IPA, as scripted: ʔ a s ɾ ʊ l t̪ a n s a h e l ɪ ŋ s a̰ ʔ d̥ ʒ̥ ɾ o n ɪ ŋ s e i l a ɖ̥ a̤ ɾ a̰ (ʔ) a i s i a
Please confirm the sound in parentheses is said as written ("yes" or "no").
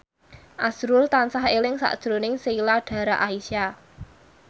yes